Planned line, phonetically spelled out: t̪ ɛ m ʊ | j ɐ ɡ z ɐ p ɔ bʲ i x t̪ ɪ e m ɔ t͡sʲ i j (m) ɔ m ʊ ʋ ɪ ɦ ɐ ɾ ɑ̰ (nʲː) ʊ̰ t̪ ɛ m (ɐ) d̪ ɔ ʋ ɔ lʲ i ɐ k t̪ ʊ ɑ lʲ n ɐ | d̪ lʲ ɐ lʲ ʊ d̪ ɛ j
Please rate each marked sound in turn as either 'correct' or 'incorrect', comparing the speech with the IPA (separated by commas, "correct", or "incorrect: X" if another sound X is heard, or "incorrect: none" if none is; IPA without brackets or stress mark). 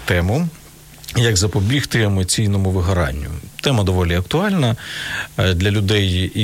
incorrect: n, correct, correct